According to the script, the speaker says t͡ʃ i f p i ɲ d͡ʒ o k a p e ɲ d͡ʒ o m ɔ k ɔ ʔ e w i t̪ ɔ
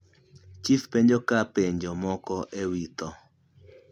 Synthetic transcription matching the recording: t͡ʃ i f p e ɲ d͡ʒ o k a p e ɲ d͡ʒ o m ɔ k ɔ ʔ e w i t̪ ɔ